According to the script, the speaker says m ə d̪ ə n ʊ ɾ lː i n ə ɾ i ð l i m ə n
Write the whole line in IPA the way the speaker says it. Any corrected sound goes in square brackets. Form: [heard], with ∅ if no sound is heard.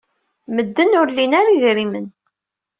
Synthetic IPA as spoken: m ə [d̪ː] ə n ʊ ɾ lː i n [a] ɾ i ð [ɾ] i m ə n